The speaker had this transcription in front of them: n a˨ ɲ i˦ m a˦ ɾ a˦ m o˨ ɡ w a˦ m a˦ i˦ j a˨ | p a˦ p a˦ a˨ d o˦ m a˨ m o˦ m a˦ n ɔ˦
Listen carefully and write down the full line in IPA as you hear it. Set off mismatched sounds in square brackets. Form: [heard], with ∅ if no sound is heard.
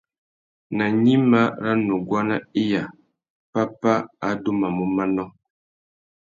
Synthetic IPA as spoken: n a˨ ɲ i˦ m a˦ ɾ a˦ [n] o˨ ɡ w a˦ [n] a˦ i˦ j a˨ | p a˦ p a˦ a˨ d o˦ m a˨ m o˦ m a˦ n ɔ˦